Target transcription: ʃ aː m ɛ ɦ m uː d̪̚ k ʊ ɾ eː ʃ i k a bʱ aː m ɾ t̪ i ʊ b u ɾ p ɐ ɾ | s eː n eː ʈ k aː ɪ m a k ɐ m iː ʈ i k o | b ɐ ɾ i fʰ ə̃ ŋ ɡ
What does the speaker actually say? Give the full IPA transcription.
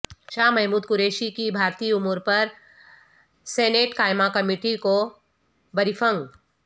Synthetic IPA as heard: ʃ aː m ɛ ɦ m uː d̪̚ k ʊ ɾ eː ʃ i k i bʱ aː ɾ t̪ i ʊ m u ɾ p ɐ ɾ | s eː n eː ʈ k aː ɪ m a k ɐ m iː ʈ i k o | b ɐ ɾ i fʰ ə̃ ŋ ɡ